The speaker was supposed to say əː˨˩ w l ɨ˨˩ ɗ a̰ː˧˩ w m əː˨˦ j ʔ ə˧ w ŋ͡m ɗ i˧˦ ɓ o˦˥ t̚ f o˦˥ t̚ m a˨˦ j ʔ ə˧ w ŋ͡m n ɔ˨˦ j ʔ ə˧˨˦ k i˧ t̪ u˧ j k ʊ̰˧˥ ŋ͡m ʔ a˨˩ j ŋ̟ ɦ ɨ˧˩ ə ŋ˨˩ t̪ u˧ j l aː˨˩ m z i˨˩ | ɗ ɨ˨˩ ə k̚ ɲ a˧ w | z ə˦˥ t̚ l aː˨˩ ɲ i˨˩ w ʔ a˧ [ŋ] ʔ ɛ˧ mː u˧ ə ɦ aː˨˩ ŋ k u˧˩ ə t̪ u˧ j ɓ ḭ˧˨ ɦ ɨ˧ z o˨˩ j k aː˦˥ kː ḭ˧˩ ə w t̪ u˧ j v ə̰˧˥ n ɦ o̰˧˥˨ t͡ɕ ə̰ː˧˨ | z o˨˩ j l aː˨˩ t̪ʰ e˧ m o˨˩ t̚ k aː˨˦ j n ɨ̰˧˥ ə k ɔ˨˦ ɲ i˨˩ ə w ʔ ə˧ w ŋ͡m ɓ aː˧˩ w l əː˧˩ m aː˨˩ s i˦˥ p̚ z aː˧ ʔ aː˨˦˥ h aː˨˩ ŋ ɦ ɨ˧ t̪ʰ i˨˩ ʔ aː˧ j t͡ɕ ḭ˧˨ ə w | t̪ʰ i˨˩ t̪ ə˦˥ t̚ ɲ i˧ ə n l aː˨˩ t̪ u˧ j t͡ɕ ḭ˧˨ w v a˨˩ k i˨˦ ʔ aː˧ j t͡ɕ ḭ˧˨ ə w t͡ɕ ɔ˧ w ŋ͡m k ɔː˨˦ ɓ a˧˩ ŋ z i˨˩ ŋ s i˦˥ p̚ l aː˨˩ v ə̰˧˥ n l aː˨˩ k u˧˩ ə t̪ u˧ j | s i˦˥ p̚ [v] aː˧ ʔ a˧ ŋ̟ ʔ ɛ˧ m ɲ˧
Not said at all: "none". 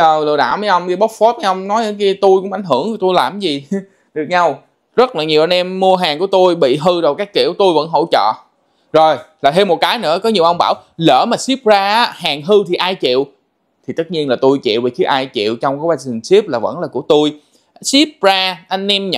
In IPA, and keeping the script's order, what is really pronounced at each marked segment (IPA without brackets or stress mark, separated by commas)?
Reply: n, z